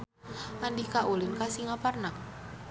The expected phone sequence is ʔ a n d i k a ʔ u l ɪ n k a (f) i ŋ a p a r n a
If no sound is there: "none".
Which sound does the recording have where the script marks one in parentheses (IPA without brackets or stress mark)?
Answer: s